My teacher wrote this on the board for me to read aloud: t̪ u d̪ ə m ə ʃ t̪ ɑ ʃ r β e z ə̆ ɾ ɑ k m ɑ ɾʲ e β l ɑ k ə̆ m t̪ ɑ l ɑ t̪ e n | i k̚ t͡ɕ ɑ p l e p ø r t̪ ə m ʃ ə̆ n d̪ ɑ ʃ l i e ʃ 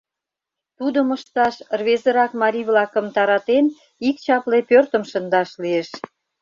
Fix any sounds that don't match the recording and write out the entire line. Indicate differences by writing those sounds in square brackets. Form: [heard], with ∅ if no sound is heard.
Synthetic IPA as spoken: t̪ u d̪ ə m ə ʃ t̪ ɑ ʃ r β e z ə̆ ɾ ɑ k m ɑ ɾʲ [i] β l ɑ k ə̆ m t̪ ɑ [ɾ] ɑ t̪ e n | i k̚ t͡ɕ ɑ p l e p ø r t̪ ə m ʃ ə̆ n d̪ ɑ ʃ l i e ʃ